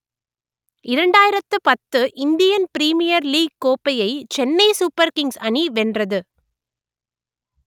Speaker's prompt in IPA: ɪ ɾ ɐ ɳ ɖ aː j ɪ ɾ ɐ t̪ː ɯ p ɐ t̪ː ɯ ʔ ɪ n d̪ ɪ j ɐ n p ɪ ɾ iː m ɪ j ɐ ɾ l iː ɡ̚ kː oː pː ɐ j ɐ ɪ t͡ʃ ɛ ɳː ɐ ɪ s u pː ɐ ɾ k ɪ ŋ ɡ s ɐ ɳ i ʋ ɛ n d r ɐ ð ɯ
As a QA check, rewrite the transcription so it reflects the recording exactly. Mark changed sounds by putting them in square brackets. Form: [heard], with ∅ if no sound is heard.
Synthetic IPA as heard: ɪ ɾ ɐ ɳ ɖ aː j ɪ ɾ ɐ t̪ː ɯ p ɐ t̪ː ɯ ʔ ɪ n d̪ ɪ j ɐ n p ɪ ɾ iː m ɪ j ɐ ɾ l iː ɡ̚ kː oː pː ɐ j ɐ ɪ t͡ʃ ɛ [nː] ɐ ɪ s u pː ɐ ɾ k ɪ ŋ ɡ s ɐ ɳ i ʋ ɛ n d r ɐ ð ɯ